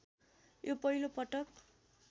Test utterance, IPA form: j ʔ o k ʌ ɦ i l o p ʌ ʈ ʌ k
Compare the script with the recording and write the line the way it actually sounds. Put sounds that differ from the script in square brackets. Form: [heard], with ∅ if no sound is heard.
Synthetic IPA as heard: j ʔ o [p] ʌ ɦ i l o p ʌ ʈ ʌ k